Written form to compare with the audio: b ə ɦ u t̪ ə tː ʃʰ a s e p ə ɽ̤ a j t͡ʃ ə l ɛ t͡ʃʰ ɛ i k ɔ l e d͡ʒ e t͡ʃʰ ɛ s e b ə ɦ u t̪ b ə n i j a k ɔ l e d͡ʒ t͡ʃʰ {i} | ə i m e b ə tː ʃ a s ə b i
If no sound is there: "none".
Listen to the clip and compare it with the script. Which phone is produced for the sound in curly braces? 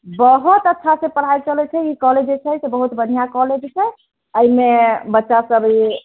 ɛ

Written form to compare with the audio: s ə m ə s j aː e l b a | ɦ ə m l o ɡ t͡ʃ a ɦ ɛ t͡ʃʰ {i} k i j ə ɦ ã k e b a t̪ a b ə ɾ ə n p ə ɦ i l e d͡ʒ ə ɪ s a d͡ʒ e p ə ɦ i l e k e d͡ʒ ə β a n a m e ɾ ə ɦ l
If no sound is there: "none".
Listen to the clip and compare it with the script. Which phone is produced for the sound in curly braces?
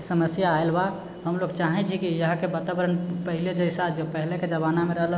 i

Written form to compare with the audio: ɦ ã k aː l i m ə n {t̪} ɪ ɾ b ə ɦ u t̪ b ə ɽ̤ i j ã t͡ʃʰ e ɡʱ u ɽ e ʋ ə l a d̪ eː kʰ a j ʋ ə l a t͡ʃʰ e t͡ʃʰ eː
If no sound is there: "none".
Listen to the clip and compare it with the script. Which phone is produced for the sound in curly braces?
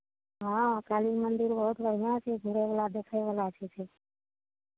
d̪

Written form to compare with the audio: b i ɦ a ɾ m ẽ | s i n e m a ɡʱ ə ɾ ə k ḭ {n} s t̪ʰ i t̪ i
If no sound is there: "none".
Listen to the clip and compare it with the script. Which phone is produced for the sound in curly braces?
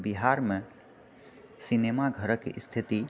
none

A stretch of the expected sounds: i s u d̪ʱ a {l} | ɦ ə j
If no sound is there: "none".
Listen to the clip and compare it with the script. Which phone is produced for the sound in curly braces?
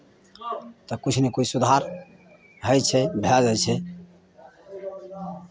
ɾ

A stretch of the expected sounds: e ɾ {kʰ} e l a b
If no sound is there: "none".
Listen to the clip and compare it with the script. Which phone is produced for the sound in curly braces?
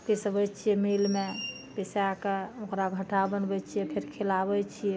kʰ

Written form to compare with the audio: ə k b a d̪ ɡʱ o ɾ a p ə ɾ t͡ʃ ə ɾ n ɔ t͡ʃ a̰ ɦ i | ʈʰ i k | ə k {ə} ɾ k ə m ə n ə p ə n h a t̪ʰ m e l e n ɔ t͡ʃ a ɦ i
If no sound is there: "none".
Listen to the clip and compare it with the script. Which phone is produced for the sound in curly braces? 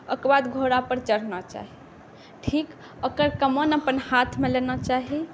ə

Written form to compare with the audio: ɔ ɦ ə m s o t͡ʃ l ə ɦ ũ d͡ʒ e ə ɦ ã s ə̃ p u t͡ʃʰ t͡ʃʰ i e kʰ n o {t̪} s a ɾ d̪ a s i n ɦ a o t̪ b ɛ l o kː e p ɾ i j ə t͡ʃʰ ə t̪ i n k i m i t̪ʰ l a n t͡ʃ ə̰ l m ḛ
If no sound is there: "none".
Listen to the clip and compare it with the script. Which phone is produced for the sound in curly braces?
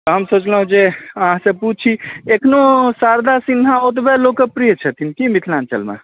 none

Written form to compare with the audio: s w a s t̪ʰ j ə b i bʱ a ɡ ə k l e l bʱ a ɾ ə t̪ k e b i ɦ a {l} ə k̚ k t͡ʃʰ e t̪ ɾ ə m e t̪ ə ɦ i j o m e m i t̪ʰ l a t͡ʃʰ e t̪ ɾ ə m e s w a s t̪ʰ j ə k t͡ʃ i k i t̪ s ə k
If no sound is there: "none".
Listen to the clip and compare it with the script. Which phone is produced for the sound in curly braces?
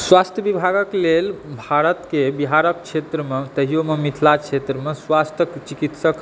ɾ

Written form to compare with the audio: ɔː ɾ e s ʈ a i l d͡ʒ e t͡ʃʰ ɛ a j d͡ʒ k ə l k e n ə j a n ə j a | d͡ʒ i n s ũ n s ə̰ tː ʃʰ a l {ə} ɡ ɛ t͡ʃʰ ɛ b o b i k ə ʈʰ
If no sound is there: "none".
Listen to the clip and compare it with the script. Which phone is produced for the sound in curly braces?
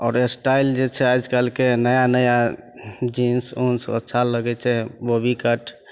ə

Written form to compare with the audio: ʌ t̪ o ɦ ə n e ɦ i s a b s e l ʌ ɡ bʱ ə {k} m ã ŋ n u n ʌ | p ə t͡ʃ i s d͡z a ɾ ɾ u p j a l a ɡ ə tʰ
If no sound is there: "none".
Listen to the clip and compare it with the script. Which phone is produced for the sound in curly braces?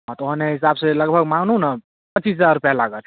ɡ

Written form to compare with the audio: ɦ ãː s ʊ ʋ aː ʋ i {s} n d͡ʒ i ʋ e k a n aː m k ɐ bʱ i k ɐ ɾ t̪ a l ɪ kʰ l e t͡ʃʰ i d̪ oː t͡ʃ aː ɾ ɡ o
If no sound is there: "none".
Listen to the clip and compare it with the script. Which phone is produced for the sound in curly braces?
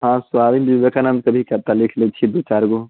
none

